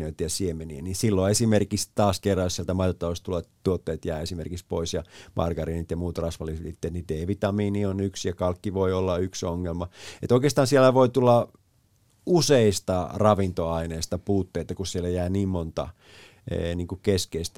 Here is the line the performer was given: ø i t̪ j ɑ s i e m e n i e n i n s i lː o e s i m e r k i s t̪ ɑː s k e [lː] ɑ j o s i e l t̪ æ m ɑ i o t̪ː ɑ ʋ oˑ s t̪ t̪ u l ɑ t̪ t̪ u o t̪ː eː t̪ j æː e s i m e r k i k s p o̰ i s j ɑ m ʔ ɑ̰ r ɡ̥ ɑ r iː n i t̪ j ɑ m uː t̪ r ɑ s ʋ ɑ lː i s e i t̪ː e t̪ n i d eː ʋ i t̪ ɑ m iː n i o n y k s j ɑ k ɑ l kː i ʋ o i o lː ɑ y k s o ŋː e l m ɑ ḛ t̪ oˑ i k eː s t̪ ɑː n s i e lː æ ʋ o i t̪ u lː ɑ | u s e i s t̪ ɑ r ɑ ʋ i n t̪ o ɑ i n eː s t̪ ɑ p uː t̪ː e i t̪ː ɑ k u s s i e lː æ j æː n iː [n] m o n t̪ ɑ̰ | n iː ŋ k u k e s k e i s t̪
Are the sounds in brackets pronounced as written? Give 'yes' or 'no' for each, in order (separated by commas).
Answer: no, no